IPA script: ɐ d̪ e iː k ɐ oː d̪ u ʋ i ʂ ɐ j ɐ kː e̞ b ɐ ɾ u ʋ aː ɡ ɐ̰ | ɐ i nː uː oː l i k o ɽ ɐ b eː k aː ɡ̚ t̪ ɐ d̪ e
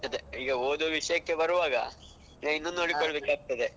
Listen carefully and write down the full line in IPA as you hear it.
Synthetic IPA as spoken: ɐ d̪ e iː ɡ ɐ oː d̪ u ʋ i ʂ ɐ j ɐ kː e̞ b ɐ ɾ u ʋ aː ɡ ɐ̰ | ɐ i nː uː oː ɽ i k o ɭ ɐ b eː k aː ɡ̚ t̪ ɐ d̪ e